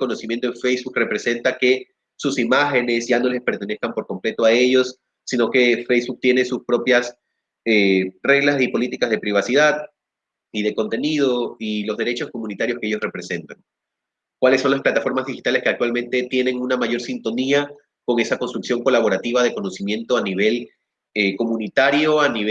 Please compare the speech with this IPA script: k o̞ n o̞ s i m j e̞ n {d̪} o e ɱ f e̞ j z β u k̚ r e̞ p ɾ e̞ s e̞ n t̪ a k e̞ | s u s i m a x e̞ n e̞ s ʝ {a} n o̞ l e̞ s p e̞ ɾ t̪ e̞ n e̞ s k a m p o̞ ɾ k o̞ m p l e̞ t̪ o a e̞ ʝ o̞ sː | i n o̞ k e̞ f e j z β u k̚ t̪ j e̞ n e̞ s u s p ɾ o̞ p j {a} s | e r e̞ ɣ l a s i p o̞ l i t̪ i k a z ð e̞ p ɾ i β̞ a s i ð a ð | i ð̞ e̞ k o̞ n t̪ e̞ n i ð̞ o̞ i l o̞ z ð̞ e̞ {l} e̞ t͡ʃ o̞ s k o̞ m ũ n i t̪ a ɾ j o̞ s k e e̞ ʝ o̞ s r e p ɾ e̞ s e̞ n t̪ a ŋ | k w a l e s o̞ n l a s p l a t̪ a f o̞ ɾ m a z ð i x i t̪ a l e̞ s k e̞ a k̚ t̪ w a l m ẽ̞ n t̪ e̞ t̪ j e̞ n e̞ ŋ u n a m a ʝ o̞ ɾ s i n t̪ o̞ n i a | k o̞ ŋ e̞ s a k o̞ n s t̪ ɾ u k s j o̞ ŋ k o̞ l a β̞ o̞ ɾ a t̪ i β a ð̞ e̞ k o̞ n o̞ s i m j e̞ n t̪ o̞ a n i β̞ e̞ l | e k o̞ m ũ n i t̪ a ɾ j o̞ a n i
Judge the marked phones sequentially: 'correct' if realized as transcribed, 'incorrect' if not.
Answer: incorrect, correct, correct, incorrect

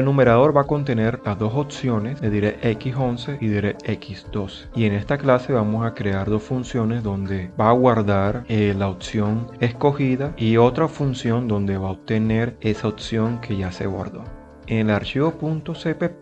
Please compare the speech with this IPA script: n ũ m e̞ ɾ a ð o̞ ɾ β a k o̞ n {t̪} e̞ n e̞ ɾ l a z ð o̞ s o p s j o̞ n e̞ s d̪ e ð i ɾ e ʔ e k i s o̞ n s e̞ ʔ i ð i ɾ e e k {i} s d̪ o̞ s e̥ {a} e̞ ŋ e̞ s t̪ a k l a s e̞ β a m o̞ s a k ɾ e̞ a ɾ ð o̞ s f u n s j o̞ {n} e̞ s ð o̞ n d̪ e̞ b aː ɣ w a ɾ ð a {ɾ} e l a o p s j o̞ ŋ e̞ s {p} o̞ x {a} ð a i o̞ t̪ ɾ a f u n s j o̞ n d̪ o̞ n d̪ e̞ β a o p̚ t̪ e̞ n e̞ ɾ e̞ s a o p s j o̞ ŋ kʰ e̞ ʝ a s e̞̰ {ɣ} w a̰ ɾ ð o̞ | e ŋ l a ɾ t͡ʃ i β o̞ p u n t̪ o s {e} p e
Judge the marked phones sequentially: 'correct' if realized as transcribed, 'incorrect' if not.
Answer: correct, correct, incorrect, correct, correct, incorrect, incorrect, correct, correct

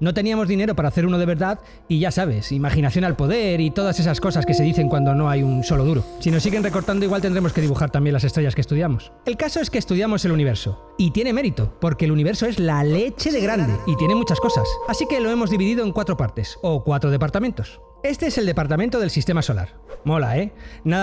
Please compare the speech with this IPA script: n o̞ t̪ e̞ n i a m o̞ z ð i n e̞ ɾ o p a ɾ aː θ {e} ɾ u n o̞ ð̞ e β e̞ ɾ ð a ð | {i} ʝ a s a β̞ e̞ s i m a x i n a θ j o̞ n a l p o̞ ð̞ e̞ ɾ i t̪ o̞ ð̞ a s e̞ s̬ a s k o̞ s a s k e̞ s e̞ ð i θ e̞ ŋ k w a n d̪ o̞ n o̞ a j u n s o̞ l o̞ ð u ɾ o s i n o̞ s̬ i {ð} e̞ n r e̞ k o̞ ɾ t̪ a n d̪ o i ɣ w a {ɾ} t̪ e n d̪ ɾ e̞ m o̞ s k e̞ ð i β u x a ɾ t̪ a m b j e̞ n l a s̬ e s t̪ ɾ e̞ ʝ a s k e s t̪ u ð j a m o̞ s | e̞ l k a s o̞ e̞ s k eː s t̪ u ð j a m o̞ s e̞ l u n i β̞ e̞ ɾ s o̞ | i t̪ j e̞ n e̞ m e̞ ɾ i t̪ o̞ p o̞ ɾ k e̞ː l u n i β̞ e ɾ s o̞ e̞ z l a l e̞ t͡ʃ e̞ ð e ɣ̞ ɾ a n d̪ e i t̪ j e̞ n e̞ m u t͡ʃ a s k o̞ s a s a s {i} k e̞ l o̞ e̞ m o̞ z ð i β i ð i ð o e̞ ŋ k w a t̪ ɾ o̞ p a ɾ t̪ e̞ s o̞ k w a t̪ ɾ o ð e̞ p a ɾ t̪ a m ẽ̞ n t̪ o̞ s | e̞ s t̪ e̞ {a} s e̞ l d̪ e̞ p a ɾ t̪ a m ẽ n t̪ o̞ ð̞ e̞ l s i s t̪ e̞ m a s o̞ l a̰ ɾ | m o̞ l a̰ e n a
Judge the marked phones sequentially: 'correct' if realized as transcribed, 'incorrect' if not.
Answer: correct, correct, incorrect, incorrect, correct, incorrect

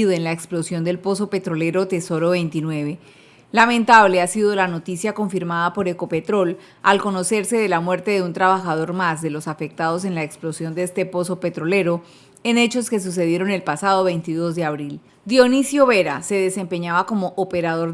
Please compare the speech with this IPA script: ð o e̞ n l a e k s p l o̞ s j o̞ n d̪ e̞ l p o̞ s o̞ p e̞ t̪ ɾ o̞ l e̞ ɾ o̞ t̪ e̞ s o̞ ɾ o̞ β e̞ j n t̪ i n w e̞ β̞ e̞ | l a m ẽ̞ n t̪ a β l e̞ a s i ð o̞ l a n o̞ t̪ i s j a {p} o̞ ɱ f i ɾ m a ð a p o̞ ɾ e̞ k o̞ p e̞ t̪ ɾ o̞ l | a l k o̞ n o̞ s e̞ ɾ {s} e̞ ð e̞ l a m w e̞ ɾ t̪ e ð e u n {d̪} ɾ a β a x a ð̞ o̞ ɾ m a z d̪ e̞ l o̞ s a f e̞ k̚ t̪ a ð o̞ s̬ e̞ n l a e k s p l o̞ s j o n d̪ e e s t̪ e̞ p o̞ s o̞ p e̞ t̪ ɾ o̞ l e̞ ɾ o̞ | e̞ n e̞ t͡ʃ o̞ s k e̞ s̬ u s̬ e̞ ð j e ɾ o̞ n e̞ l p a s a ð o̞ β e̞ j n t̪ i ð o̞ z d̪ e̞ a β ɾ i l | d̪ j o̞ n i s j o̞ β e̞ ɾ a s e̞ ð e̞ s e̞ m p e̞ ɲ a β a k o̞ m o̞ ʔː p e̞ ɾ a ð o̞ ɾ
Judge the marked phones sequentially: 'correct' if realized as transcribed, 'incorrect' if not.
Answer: incorrect, correct, incorrect

